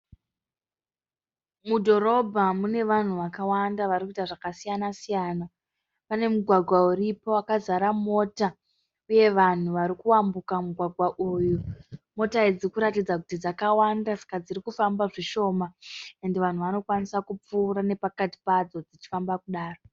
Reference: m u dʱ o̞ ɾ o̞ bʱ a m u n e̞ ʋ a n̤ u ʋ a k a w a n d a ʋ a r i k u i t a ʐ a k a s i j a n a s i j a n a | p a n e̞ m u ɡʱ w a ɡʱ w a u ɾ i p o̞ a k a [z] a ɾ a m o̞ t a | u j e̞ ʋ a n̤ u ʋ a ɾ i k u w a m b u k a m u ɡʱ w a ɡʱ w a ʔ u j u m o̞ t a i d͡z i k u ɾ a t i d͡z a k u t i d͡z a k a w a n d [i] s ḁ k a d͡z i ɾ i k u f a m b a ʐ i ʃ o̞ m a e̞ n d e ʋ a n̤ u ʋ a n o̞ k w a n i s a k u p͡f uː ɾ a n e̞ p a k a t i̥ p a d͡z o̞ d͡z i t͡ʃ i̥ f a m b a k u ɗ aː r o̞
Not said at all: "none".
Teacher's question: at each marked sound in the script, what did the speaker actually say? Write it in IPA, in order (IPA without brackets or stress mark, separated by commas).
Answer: z, a